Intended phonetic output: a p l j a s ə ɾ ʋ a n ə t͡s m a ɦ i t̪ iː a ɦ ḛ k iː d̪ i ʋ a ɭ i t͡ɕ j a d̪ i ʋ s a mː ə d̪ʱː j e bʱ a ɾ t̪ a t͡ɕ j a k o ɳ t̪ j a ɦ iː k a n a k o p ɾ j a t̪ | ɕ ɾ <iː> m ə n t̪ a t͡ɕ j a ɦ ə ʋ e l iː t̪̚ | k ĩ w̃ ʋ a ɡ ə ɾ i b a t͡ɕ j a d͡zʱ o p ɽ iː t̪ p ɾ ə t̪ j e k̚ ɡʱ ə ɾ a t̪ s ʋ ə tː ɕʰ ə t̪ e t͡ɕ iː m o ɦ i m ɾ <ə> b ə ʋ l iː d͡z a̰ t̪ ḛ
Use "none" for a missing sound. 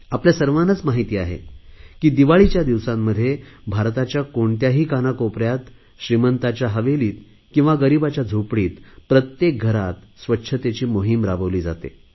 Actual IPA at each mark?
i, a

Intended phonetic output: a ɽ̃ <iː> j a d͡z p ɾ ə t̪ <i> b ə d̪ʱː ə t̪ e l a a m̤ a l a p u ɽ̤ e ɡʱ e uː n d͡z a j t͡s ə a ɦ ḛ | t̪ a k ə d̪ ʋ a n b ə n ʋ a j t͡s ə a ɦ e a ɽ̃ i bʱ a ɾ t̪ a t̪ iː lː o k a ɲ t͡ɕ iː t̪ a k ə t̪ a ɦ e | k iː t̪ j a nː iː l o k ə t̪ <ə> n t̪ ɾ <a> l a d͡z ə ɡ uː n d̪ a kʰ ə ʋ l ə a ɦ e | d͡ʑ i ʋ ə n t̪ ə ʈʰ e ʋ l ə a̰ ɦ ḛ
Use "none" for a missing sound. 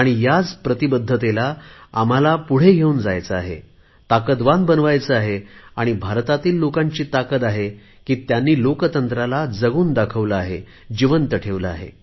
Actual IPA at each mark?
i, i, ə, a

